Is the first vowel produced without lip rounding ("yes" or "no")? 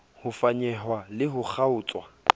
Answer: no